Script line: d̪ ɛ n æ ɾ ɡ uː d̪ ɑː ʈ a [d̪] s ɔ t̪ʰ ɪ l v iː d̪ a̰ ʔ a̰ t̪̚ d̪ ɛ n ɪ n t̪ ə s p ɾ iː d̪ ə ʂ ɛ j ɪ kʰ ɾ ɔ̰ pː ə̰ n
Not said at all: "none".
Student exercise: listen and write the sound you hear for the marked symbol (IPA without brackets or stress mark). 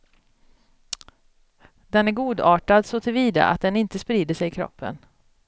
d̪